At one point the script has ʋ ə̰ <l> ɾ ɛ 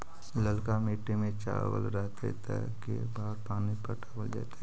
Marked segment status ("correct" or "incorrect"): correct